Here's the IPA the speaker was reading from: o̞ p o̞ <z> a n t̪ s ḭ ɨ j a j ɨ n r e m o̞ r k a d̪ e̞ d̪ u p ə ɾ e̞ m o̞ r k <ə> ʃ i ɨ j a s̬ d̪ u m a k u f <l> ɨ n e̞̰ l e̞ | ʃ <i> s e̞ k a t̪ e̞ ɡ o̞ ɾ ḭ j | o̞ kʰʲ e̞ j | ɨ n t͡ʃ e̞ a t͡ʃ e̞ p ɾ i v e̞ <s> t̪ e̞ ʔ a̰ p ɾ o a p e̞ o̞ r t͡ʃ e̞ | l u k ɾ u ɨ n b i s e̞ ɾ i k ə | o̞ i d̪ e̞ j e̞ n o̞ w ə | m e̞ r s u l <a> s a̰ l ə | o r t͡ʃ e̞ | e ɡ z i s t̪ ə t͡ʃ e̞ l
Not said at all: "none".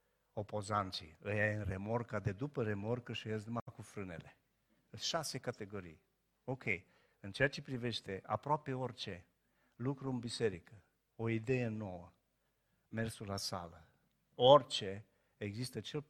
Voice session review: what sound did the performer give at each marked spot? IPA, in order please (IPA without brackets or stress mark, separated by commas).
z, ə, ɾ, a, ʃ, a